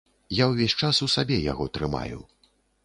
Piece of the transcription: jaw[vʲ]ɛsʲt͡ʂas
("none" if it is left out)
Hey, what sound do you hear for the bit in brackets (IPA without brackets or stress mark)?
vʲ